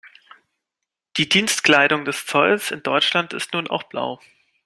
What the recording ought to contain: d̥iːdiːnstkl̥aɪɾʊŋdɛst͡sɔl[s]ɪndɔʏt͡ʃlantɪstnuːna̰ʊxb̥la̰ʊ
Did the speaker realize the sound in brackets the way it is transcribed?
yes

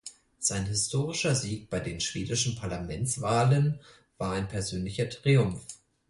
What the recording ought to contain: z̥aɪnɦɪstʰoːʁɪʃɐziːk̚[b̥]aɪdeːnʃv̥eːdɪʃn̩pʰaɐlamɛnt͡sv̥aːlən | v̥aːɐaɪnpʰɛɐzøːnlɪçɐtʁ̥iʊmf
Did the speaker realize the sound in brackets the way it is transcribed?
yes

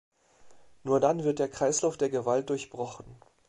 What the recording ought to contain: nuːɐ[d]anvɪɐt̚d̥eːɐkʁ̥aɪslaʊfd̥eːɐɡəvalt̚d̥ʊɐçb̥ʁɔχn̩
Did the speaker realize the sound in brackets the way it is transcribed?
yes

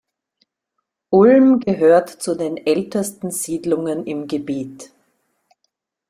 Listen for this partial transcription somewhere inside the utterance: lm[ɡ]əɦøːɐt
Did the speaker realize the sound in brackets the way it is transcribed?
yes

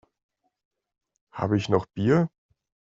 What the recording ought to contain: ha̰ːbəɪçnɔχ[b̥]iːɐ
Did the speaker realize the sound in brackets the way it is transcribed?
yes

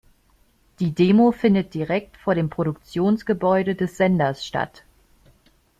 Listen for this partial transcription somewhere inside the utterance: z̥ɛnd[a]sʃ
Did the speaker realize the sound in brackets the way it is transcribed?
no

